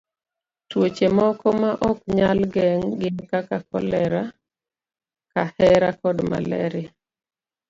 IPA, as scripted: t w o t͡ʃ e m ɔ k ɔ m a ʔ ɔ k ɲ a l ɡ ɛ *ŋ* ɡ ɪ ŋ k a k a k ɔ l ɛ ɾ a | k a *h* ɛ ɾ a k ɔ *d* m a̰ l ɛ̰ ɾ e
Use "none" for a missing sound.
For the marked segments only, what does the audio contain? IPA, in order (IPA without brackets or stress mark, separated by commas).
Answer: ŋ, h, d